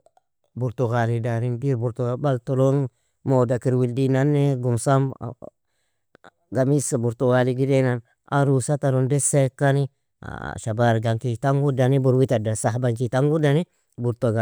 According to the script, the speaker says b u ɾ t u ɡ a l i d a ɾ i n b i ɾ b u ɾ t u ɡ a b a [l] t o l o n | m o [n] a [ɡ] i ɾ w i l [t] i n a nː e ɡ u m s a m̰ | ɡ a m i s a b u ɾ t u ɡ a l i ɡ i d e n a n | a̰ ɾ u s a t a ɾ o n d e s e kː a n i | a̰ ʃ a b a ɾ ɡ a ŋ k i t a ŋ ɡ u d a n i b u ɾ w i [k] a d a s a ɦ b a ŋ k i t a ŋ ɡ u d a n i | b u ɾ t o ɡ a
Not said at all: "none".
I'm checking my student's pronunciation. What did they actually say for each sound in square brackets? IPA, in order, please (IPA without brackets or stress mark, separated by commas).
l, d, k, d, t